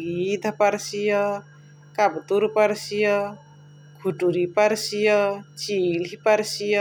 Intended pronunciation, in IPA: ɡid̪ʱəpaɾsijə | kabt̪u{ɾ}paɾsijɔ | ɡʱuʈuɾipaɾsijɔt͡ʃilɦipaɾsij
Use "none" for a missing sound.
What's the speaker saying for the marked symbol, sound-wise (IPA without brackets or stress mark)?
ɾ